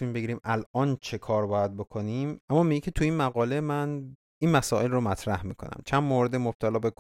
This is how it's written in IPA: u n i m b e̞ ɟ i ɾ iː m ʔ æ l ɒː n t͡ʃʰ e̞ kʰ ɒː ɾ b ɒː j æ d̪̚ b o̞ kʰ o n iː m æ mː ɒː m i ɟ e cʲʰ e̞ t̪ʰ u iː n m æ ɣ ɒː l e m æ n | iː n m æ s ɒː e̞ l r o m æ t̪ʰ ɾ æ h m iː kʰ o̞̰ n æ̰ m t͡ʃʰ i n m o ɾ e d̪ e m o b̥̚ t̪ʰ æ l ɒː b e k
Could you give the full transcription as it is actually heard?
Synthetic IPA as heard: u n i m b e̞ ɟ i ɾ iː m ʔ æ l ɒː n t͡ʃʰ e̞ kʰ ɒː ɾ b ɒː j æ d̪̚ b o̞ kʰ o n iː m æ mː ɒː m i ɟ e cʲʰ e̞ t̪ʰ u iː n m æ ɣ ɒː l e m æ n | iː n m æ s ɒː e̞ l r o m æ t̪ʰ ɾ æ h m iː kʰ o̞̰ n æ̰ m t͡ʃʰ æ n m o ɾ e d̪ e m o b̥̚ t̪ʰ æ l ɒː b e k